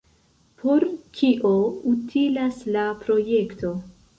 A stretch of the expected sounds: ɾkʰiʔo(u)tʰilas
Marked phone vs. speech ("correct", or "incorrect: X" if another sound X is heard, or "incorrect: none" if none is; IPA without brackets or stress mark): correct